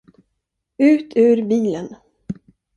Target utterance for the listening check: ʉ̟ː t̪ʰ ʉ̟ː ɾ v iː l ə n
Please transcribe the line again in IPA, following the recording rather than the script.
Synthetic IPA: ʉ̟ː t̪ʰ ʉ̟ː ɾ b iː l ə n